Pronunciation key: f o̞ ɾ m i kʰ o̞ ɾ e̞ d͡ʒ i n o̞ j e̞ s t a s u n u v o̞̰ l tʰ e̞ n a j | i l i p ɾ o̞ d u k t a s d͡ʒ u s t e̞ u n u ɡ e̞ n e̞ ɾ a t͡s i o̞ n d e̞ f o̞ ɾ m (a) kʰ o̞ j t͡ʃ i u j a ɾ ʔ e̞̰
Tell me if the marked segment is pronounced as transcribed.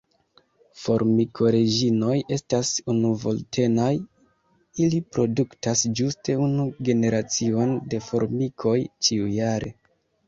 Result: no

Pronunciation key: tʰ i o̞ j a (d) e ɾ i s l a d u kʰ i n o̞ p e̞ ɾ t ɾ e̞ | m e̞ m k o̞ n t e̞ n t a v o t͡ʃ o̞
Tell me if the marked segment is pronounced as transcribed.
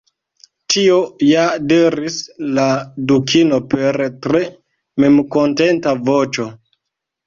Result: yes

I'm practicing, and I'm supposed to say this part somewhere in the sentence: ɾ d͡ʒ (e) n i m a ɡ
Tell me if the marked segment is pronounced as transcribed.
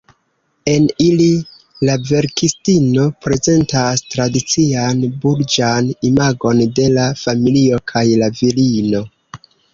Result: no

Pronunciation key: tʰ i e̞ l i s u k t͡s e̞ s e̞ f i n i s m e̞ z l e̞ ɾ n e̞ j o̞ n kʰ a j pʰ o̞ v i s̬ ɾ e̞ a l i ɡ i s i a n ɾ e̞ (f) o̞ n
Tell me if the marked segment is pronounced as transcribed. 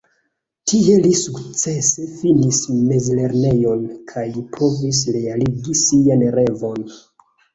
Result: no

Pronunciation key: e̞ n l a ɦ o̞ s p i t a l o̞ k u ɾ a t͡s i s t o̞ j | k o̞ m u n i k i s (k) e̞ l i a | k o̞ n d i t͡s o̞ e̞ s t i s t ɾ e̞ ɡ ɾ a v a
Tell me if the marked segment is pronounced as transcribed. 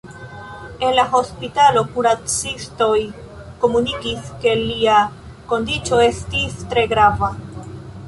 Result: yes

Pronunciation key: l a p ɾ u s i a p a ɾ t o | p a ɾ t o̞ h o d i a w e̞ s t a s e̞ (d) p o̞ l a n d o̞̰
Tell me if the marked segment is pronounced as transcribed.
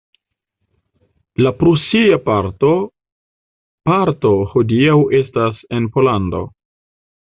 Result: no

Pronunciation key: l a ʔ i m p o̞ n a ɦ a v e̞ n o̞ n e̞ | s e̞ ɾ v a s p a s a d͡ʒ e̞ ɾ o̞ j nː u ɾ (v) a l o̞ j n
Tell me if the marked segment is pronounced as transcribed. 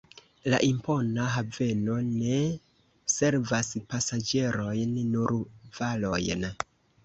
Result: yes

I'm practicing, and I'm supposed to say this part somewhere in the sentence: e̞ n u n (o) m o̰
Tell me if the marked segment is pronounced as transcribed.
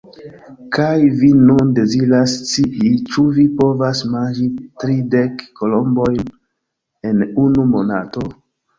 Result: no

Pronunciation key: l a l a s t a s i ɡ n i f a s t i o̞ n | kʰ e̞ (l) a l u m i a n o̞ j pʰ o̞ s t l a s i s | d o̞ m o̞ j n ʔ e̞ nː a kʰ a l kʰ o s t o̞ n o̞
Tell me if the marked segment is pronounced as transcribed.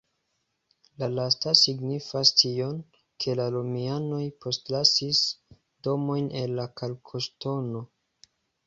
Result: yes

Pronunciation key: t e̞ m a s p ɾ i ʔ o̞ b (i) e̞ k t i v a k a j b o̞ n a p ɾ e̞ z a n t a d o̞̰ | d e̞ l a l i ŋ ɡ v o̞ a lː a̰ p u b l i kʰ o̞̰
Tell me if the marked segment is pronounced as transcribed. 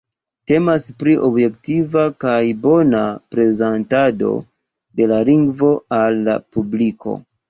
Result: no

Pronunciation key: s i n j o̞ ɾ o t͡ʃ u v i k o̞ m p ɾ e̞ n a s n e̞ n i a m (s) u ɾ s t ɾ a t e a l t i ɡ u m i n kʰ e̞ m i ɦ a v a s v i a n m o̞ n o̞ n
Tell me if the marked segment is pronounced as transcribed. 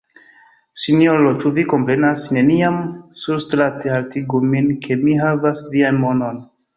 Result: yes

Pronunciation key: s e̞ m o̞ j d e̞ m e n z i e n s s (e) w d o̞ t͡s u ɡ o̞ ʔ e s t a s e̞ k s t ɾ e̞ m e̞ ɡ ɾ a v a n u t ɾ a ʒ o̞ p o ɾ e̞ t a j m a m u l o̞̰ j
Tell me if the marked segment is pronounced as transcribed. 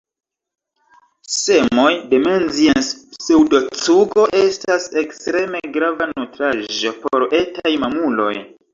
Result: yes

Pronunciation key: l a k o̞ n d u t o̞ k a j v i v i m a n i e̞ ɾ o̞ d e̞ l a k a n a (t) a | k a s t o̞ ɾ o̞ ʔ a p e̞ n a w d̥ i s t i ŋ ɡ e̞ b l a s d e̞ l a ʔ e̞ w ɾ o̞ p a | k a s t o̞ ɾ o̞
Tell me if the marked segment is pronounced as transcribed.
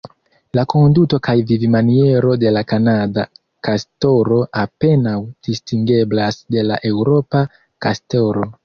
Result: no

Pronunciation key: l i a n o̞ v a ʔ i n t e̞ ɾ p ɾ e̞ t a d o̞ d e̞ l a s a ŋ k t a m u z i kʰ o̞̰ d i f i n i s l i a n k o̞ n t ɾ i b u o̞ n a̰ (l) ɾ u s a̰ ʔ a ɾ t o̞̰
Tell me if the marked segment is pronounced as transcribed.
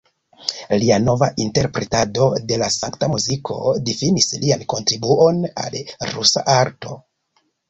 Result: yes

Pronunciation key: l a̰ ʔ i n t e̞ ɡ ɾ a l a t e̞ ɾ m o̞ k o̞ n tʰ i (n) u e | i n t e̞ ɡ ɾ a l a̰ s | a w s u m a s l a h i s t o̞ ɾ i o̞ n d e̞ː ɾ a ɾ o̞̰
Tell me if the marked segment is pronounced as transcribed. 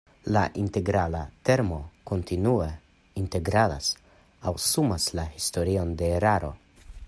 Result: yes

